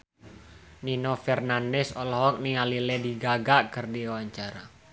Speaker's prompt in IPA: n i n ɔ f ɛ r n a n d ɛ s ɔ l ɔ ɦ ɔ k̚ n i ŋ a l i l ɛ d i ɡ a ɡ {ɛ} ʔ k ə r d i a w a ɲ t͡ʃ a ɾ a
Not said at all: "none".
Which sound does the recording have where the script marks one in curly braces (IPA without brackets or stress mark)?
a